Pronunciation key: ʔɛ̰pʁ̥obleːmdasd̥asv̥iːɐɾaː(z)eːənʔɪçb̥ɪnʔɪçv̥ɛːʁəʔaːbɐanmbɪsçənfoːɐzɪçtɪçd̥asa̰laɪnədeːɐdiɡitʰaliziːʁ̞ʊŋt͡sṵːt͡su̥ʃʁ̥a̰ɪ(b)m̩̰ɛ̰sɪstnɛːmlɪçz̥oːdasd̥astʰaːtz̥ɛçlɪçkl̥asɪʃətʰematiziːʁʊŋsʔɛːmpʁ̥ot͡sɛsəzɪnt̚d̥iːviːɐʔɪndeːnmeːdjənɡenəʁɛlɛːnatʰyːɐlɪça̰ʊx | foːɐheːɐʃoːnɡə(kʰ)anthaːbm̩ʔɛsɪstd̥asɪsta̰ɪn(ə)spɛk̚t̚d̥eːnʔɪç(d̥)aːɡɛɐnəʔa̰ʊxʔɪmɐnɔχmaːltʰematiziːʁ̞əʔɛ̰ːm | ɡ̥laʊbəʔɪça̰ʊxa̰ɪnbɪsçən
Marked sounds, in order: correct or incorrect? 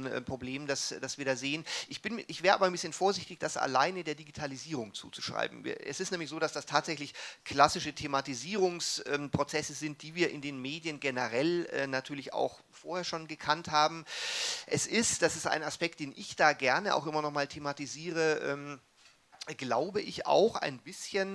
correct, correct, correct, incorrect: a, correct

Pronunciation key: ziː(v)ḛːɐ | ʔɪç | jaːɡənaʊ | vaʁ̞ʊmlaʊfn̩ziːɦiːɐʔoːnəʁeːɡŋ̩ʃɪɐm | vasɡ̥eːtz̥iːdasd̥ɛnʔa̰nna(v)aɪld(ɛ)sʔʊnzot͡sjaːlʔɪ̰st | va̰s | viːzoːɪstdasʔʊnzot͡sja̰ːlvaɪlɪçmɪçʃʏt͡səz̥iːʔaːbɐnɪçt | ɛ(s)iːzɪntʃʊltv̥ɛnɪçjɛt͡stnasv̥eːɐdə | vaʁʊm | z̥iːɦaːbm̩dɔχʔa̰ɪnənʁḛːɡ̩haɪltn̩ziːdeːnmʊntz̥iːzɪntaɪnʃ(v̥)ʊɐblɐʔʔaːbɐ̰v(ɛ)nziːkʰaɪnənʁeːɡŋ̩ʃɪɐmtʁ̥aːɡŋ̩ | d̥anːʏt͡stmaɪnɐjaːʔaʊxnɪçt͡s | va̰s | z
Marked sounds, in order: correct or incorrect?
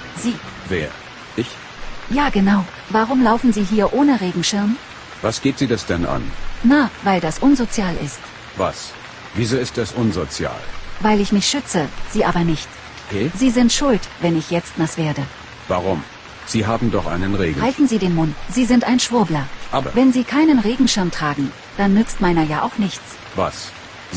correct, correct, incorrect: a, incorrect: z, correct, correct

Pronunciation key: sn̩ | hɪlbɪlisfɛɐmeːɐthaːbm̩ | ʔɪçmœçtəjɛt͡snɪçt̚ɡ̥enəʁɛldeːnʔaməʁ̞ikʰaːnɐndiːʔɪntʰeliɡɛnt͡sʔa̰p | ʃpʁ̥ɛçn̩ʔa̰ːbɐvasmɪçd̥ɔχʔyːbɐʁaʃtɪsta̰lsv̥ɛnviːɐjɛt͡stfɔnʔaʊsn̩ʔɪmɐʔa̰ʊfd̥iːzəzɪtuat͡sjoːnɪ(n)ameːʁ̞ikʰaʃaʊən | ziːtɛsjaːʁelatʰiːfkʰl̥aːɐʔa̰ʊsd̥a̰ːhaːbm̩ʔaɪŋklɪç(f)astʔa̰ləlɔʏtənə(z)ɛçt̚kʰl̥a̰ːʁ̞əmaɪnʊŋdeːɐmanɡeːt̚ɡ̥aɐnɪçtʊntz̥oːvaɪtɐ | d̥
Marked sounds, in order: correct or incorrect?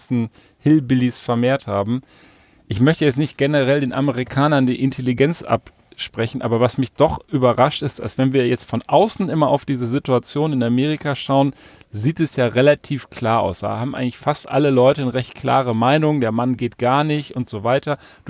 correct, correct, incorrect: ʁ

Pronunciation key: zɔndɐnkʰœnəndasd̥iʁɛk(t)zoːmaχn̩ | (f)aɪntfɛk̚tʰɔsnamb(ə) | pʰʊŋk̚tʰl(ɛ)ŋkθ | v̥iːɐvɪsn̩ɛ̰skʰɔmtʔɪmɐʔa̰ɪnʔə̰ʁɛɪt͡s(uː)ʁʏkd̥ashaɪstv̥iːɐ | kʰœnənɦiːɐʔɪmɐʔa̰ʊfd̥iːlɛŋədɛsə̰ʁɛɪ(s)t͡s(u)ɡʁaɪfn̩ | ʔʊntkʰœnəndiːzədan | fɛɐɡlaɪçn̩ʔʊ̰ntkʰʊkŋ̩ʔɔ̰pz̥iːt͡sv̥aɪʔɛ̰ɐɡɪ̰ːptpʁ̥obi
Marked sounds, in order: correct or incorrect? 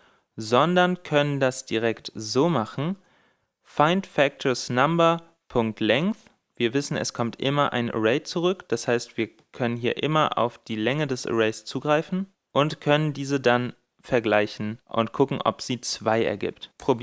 correct, correct, incorrect: ɐ, correct, incorrect: u, correct, incorrect: uː

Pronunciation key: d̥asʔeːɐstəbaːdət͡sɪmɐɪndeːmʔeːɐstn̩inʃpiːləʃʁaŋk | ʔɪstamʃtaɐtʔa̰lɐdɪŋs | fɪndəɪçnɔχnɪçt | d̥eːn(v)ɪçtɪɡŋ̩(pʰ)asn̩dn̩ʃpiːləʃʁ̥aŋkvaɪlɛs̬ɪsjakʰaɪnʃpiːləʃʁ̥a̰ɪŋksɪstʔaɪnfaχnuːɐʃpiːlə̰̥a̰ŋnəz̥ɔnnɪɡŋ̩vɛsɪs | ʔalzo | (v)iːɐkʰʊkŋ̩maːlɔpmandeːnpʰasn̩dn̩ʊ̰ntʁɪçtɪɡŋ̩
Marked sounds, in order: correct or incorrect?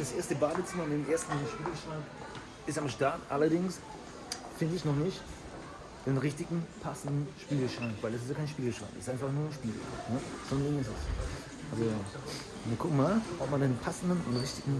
incorrect: ʁ, correct, correct

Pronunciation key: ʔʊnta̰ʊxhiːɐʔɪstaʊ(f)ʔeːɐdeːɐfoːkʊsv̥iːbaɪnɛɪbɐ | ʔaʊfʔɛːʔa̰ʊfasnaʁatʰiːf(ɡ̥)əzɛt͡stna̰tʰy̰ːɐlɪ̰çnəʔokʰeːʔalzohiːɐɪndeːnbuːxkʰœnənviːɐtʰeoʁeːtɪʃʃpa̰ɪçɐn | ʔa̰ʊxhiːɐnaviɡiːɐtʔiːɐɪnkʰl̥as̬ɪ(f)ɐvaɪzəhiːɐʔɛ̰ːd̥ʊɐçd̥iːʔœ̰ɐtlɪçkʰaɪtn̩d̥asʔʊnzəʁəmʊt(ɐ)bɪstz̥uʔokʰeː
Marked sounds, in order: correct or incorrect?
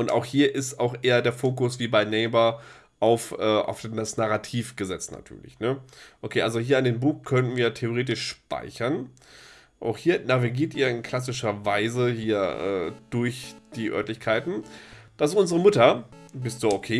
incorrect: x, correct, incorrect: ʃ, correct

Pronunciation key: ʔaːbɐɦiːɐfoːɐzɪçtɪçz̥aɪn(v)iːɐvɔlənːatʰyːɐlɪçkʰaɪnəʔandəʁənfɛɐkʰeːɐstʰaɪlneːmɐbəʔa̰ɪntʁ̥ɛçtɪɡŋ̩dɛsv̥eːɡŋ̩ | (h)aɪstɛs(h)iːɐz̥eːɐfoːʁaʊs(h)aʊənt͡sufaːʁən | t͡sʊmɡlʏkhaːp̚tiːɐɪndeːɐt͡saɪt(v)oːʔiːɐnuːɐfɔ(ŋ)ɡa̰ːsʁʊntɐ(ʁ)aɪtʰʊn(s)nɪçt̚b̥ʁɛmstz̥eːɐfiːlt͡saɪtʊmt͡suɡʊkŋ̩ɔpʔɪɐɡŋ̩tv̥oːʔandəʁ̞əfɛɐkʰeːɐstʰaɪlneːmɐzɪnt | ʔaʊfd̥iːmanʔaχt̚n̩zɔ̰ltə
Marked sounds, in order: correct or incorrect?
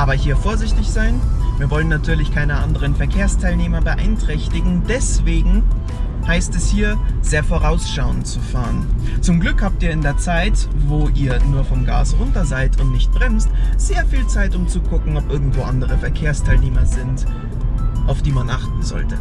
correct, correct, correct, incorrect: ʃ, correct, incorrect: m, incorrect: z, incorrect: t

